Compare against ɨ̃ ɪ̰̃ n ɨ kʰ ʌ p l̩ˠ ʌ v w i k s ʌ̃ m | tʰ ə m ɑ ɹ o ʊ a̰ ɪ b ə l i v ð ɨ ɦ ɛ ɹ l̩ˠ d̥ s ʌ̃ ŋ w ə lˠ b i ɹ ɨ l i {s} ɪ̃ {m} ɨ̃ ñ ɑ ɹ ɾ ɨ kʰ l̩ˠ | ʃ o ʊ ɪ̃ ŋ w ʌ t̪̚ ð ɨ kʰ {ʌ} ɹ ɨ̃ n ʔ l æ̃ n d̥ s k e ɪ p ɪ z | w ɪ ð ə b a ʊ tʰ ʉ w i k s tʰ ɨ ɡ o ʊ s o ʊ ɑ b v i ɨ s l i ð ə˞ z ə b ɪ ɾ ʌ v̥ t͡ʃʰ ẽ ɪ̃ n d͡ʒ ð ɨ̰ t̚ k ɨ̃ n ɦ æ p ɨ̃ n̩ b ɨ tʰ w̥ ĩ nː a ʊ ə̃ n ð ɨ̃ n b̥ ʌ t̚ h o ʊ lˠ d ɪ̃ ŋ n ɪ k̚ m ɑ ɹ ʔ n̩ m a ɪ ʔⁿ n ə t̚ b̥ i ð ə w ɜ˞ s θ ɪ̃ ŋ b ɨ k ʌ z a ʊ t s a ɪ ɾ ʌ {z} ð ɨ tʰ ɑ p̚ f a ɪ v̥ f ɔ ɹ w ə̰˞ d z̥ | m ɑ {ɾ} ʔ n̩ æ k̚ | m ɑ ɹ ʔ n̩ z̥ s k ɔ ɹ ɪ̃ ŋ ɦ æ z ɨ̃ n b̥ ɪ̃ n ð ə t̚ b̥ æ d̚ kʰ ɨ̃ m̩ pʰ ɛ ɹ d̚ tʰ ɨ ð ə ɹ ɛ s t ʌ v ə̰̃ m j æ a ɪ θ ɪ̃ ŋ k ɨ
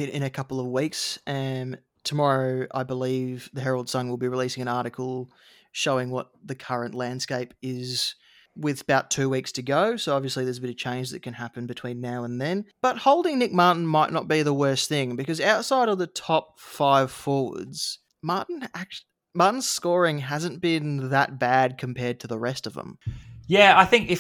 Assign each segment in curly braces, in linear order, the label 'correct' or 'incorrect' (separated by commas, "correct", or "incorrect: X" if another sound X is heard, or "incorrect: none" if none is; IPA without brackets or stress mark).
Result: correct, incorrect: ŋ, correct, incorrect: v, incorrect: ɹ